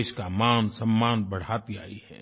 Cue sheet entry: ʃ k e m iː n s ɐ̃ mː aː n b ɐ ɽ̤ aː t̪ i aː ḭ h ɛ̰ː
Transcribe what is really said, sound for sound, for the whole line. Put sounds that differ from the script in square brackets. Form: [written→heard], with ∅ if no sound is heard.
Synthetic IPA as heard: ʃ k [e→a] m [iː→aː] n s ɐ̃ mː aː n b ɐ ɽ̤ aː t̪ i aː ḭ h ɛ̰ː

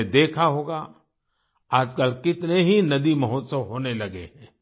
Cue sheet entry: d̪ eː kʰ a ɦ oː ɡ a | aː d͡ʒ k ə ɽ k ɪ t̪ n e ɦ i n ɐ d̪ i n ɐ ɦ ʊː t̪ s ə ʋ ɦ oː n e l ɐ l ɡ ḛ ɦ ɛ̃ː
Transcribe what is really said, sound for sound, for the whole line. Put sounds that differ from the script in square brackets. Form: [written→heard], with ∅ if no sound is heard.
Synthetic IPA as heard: d̪ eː kʰ a ɦ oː ɡ a | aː d͡ʒ k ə [ɽ→l] k ɪ t̪ n e ɦ i n ɐ d̪ i [n→m] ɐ ɦ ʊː t̪ s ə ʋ ɦ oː n e l ɐ [l→∅] ɡ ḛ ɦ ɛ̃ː

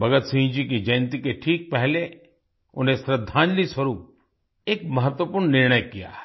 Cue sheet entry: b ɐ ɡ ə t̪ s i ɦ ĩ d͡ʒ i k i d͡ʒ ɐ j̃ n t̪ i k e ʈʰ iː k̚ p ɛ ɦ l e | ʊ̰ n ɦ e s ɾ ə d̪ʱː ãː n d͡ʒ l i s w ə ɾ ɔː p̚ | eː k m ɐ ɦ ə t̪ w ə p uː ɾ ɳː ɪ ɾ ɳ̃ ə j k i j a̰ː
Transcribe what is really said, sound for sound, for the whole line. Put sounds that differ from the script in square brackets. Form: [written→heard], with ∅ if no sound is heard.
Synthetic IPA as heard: b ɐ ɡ ə t̪ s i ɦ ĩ d͡ʒ i k i d͡ʒ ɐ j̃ n t̪ i k e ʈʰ iː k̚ p ɛ ɦ l e | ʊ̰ n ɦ e s ɾ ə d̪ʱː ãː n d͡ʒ l i s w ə ɾ [ɔː→uː] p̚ | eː k m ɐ ɦ ə t̪ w ə p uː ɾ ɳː ɪ ɾ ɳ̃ ə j k i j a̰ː

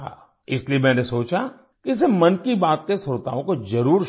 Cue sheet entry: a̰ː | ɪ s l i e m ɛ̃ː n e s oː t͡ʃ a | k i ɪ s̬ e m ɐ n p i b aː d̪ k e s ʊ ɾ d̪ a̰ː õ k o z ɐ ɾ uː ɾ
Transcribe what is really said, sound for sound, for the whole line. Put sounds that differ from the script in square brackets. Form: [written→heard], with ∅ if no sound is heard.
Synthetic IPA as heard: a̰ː | ɪ s l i e m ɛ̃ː n e s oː t͡ʃ a | k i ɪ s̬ e m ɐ n [p→k] i b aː [d̪→t̪] k e s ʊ ɾ [d̪→t̪] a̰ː õ k o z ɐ ɾ uː ɾ

